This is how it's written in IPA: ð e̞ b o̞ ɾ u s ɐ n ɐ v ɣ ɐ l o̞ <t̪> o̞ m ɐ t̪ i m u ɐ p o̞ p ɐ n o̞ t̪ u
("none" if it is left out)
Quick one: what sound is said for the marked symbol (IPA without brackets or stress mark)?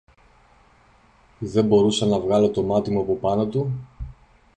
t̪